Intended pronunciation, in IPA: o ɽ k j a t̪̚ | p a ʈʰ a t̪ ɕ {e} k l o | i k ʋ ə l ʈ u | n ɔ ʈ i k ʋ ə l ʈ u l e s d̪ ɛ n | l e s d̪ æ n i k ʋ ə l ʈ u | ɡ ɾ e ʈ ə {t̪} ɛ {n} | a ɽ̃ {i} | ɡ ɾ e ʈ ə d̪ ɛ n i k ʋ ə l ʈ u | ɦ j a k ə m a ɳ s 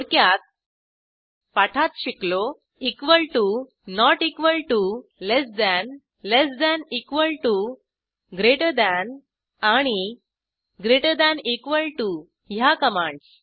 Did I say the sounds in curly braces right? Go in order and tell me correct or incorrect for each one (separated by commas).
incorrect, incorrect, correct, correct